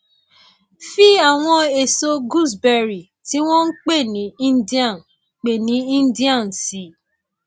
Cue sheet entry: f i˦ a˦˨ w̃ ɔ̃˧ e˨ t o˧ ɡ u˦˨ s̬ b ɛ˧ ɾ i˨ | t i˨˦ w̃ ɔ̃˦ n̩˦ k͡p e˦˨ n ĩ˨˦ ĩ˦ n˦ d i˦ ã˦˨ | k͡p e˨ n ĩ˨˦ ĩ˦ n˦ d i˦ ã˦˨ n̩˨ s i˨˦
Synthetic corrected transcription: f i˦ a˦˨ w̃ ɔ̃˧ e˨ s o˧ ɡ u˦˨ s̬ b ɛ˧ ɾ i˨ | t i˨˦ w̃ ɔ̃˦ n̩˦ k͡p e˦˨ n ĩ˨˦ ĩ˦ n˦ d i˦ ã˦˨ | k͡p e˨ n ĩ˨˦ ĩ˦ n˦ d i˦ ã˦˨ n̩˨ s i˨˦